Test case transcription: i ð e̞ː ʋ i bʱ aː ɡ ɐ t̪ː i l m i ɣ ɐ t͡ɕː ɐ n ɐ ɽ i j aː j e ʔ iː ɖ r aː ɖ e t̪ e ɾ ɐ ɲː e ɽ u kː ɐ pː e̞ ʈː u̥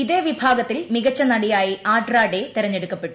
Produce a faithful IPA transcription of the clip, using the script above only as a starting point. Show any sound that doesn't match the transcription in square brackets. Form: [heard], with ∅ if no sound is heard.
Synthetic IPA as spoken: i ð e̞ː ʋ i bʱ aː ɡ ɐ t̪ː i l m i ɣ ɐ t͡ɕː ɐ n ɐ ɽ i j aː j [i] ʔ [aː] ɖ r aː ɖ e t̪ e ɾ ɐ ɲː e ɽ u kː ɐ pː e̞ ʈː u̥